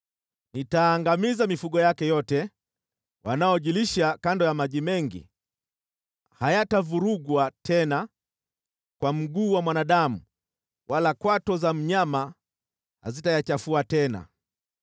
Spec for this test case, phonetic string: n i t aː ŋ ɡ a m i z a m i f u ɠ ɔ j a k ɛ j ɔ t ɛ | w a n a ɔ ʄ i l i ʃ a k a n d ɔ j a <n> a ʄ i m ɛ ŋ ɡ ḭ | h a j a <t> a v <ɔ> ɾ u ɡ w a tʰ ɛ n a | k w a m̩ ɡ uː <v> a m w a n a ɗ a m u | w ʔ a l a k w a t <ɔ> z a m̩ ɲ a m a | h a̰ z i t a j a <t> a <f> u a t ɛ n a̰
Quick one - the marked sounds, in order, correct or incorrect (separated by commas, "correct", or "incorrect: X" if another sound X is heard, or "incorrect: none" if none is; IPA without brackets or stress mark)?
incorrect: m, correct, incorrect: u, incorrect: w, correct, incorrect: t͡ʃ, correct